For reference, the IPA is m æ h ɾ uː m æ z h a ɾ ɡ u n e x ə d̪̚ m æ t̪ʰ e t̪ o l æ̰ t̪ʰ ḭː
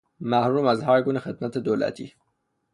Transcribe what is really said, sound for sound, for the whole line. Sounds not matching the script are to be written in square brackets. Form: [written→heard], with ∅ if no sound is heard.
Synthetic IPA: m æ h ɾ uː m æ z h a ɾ ɡ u n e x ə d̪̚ m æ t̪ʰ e [t̪→d̪] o l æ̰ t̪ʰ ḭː

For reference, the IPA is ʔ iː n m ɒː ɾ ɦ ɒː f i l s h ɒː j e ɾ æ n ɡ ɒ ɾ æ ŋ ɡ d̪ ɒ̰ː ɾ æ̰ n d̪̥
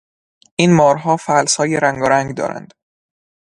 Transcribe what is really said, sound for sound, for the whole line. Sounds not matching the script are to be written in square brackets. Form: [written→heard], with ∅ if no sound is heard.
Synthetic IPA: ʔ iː n m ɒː ɾ ɦ ɒː f [i→æ] l s h ɒː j e ɾ æ [n→ŋ] ɡ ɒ ɾ æ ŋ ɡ d̪ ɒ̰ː ɾ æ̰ n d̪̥

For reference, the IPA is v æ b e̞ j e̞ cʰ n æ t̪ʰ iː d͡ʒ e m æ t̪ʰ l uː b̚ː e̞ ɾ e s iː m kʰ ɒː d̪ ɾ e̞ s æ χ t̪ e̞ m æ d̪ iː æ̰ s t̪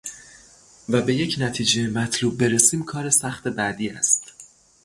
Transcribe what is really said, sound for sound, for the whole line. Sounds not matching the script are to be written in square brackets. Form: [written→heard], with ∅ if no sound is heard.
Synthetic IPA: v æ b e̞ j e̞ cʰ n æ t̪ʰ iː d͡ʒ e m æ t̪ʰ l uː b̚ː e̞ ɾ e s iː m kʰ ɒː [d̪→∅] ɾ e̞ s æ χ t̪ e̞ [m→b] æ d̪ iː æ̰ s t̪

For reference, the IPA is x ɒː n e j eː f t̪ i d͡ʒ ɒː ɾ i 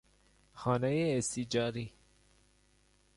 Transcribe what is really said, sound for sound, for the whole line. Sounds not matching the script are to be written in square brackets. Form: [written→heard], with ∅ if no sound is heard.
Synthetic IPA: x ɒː n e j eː [f→s] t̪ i d͡ʒ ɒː ɾ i

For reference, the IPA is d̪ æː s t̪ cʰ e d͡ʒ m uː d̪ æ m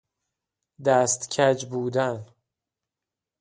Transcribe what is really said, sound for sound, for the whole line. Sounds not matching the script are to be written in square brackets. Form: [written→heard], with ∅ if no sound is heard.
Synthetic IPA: d̪ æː s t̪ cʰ [e→æ] d͡ʒ [m→b] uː d̪ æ [m→n]

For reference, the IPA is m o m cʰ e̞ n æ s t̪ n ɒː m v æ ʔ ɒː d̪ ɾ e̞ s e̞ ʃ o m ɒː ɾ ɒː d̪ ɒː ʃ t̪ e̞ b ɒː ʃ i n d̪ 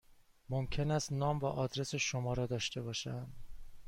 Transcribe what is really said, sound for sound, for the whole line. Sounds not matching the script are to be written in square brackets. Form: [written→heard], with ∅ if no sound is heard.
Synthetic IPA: m o m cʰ e̞ n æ s t̪ n ɒː m v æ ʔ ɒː d̪ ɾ e̞ s e̞ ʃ o m ɒː ɾ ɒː d̪ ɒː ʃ t̪ e̞ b ɒː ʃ [i→æ] n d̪

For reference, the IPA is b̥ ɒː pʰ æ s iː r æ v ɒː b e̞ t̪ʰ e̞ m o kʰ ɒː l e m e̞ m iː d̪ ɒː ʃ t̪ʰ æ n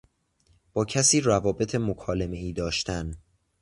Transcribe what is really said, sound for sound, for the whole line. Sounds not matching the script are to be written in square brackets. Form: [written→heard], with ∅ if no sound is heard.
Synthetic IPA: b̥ ɒː [pʰ→cʰ] æ s iː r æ v ɒː b e̞ t̪ʰ e̞ m o kʰ ɒː l e m e̞ [m→∅] iː d̪ ɒː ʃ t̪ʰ æ n

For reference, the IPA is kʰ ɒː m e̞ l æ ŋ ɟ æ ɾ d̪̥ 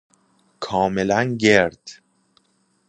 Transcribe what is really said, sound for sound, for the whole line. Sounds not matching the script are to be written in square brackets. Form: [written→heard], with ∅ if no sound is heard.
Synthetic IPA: kʰ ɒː m e̞ l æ [ŋ→n] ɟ [æ→e] ɾ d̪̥

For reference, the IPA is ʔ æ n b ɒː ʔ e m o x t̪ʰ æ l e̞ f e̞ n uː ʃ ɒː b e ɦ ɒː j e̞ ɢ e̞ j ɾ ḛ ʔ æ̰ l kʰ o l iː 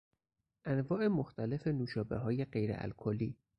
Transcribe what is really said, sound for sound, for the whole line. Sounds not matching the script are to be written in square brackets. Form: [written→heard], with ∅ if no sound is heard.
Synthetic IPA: ʔ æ n [b→v] ɒː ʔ e m o x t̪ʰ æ l e̞ f e̞ n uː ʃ ɒː b e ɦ ɒː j e̞ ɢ e̞ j ɾ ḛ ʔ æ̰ l kʰ o l iː

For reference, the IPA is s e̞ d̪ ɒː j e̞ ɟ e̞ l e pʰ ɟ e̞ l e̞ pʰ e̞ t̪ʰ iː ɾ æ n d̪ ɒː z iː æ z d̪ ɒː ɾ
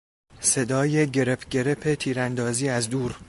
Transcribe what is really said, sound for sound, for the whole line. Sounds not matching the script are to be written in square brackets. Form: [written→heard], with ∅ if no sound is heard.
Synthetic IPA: s e̞ d̪ ɒː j e̞ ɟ e̞ [l→ɾ] e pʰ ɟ e̞ [l→ɾ] e̞ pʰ e̞ t̪ʰ iː ɾ æ n d̪ ɒː z iː æ z d̪ [ɒː→uː] ɾ

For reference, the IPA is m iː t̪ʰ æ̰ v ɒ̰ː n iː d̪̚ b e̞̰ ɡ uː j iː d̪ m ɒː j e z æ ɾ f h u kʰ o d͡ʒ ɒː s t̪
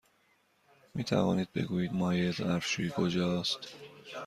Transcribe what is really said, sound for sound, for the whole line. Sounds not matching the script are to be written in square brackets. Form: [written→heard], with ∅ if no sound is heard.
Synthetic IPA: m iː t̪ʰ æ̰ v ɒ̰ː n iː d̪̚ b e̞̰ ɡ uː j iː d̪ m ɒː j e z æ ɾ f [h→ʃ] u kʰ o d͡ʒ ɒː s t̪

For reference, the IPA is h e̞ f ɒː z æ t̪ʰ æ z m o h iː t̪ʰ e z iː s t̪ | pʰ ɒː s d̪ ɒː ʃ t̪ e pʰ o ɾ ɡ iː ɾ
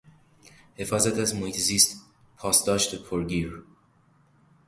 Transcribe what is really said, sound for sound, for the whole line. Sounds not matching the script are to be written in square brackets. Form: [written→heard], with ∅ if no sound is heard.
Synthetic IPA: h e̞ f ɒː z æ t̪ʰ æ z m o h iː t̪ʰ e z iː s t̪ | pʰ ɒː s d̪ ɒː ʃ t̪ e pʰ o ɾ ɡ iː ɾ

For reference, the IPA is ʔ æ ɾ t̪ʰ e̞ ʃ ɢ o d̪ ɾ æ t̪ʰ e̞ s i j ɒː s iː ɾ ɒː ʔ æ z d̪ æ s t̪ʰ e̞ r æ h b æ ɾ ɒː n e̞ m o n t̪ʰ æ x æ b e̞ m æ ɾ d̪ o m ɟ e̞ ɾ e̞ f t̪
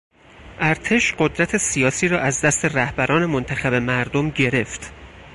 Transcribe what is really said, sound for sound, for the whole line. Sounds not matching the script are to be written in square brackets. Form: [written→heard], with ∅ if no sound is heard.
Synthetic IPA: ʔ æ ɾ t̪ʰ e̞ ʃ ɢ o d̪ ɾ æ t̪ʰ e̞ s i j ɒː s iː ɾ ɒː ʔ æ z d̪ æ s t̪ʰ e̞ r æ h b æ ɾ ɒː n e̞ m o n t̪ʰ æ x æ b e̞ m æ ɾ d̪ o m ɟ e̞ ɾ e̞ f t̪

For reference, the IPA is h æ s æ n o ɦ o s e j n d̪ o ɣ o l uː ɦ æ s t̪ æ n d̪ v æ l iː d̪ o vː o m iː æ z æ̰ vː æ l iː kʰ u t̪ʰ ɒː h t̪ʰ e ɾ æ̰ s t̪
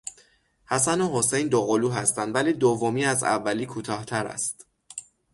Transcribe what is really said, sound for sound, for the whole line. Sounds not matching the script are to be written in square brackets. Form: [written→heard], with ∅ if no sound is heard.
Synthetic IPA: h æ s æ n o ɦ o s e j n d̪ o ɣ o l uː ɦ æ s t̪ æ n d̪ v æ l iː d̪ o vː o m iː æ z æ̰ vː æ l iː kʰ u t̪ʰ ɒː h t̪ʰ [e→æ] ɾ æ̰ s t̪

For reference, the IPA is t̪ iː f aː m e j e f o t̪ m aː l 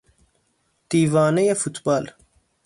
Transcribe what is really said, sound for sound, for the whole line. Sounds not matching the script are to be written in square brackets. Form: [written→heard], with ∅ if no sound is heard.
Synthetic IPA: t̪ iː [f→v] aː [m→n] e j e f [o→u] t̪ [m→b] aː l

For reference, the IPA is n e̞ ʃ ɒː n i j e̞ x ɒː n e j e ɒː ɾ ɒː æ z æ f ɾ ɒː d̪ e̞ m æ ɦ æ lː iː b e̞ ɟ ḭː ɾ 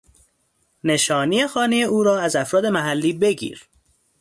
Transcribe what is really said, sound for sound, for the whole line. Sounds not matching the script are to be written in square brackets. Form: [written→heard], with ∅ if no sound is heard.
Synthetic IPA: n e̞ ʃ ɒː n i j e̞ x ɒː n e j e [ɒː→uː] ɾ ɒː æ z æ f ɾ ɒː d̪ e̞ m æ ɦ æ lː iː b e̞ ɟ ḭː ɾ

